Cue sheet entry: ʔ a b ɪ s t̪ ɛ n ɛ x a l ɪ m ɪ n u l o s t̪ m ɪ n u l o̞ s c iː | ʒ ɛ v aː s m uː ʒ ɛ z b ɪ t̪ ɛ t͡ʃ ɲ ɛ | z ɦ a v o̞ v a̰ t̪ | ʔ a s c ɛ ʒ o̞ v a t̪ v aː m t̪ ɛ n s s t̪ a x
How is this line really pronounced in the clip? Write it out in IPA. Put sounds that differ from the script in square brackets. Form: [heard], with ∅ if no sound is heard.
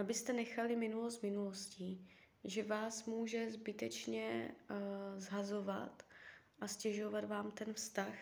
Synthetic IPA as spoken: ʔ a b ɪ s t̪ ɛ n ɛ x a l ɪ m ɪ n u l o s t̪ m ɪ n u l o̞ s c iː | ʒ ɛ v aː s m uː ʒ ɛ z b ɪ t̪ ɛ t͡ʃ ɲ ɛ | z ɦ a [z] o̞ v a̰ t̪ | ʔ a s c ɛ ʒ o̞ v a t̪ v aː m t̪ ɛ n [f] s t̪ a x